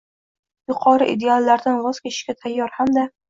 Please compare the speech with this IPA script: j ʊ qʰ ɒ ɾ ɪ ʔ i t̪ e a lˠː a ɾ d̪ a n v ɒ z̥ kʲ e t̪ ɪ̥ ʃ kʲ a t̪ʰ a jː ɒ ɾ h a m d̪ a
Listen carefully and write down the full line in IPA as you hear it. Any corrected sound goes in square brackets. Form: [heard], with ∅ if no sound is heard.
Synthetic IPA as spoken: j ʊ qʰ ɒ ɾ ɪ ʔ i [d̪] e a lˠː a ɾ d̪ a n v ɒ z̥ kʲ e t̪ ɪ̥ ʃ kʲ a t̪ʰ a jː ɒ ɾ h a m d̪ a